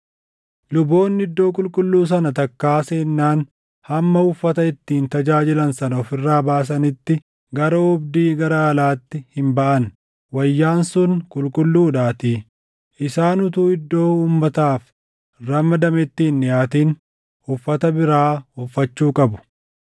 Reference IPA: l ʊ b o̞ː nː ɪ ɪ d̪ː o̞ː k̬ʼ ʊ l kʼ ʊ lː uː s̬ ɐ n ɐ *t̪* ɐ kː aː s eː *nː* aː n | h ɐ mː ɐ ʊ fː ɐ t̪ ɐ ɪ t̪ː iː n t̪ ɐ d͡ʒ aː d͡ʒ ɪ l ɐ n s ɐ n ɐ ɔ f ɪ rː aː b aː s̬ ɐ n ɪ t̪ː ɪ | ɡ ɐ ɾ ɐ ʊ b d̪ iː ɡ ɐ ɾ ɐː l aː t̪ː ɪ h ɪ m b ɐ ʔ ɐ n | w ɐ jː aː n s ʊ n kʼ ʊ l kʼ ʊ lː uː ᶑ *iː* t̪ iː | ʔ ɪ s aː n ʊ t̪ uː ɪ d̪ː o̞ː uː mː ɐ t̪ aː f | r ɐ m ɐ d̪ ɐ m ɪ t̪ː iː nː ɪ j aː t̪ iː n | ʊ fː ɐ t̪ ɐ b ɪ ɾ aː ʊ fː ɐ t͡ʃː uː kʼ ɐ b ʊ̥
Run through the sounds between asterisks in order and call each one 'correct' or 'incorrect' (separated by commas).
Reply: correct, correct, incorrect